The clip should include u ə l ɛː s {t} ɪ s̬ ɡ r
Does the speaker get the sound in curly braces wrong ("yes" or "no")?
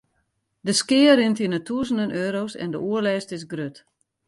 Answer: no